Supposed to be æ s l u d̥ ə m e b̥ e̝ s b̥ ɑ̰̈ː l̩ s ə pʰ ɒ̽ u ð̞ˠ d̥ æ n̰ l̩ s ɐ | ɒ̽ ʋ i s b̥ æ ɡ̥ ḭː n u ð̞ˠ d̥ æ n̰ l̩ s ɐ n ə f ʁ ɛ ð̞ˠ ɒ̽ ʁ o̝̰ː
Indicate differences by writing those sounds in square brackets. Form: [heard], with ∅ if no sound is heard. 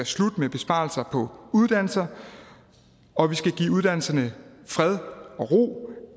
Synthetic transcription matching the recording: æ s l u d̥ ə m e b̥ e̝ s b̥ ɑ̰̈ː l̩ s [ɐ] pʰ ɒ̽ u ð̞ˠ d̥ æ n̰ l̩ s ɐ | ɒ̽ ʋ i s [ɡ̥] æ ɡ̥ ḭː [∅] u ð̞ˠ d̥ æ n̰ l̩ s ɐ n ə f ʁ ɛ ð̞ˠ ɒ̽ ʁ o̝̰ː